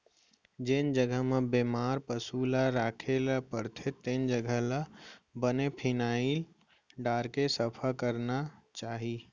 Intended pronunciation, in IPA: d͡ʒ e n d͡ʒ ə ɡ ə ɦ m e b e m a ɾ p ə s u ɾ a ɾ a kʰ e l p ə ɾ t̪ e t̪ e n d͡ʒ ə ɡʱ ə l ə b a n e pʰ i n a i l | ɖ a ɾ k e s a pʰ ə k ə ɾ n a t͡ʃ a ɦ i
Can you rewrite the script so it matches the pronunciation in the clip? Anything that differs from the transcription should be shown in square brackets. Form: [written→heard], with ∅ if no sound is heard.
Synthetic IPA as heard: d͡ʒ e n d͡ʒ ə ɡ ə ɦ m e b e m a ɾ p ə s u [ɾ→l] a ɾ a kʰ e l p ə ɾ [t̪→t̪ʰ] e t̪ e n d͡ʒ ə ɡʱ ə l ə b [a→ə] n e pʰ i n a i l | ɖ a ɾ k e s [a→ə] pʰ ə k ə ɾ n a t͡ʃ a ɦ i